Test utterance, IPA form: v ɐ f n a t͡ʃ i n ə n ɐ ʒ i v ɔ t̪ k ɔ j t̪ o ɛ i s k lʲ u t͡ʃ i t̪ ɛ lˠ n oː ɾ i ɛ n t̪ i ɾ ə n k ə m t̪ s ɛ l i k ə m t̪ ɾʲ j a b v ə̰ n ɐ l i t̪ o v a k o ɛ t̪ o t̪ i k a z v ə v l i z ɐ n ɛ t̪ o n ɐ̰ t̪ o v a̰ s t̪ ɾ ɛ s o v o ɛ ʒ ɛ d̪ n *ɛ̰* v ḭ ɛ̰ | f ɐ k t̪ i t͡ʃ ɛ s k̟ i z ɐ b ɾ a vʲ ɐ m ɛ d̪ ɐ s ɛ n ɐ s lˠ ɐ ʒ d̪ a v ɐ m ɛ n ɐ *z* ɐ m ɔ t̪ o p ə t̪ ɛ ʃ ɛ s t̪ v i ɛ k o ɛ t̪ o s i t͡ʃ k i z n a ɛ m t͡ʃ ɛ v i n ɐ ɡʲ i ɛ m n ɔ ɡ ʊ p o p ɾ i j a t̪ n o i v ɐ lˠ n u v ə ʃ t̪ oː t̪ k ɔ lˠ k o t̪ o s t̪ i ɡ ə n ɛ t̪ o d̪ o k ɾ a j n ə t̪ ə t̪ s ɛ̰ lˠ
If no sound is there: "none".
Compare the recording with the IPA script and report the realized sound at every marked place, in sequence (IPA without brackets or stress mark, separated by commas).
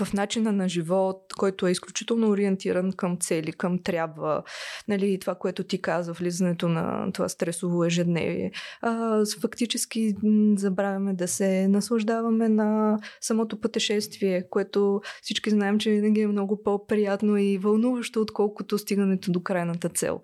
ɛ̰, s